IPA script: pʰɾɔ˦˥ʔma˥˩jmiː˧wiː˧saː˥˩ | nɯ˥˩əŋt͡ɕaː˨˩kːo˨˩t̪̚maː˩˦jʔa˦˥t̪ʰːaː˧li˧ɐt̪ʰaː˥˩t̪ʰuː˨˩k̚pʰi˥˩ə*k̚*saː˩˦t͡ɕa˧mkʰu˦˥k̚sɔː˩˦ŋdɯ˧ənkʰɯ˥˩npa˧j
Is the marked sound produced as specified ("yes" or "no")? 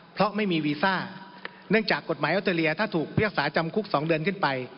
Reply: yes